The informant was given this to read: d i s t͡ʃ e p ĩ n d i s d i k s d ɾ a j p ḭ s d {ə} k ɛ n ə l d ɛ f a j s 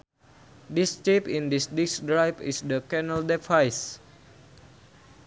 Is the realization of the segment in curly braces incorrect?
no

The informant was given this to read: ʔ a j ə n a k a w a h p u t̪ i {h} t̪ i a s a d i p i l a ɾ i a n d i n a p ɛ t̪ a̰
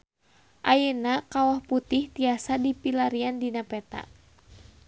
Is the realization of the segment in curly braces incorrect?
no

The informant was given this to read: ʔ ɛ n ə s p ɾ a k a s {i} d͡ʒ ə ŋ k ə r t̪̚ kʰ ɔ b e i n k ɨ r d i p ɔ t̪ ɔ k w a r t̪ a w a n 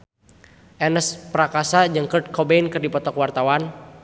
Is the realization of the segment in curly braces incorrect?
yes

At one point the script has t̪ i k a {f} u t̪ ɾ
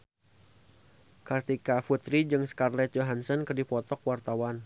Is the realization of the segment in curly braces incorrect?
no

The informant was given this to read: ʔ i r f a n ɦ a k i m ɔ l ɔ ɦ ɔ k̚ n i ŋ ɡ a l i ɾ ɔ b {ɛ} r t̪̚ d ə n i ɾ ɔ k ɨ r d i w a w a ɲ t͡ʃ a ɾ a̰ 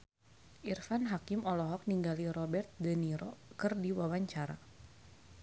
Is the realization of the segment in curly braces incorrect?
no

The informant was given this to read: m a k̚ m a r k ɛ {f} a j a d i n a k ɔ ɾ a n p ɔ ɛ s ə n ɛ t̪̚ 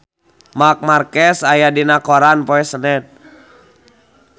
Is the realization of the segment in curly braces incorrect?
yes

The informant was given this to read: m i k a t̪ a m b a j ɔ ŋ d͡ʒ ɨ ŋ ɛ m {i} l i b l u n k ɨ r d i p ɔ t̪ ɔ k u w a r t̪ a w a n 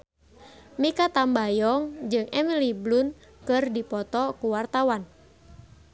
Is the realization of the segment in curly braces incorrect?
no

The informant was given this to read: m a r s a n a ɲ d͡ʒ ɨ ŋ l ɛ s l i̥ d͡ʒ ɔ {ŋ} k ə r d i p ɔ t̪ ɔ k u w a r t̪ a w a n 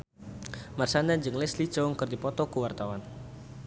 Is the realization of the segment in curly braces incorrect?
no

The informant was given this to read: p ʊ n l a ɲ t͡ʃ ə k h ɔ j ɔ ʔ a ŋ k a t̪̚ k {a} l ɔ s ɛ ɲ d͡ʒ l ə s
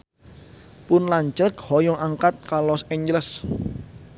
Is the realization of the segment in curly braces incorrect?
no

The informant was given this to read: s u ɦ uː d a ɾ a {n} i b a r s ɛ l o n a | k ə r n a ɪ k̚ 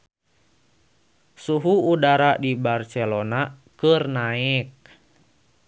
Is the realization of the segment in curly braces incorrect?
yes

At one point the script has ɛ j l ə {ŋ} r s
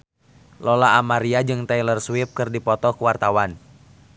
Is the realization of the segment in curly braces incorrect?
yes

